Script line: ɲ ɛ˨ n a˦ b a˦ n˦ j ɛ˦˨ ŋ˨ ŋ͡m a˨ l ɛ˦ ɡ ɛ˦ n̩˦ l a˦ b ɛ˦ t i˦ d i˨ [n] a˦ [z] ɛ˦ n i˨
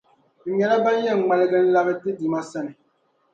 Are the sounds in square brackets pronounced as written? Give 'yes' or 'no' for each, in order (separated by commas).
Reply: no, no